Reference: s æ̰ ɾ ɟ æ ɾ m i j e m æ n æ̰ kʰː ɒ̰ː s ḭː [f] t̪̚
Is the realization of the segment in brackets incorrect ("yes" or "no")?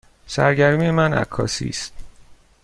yes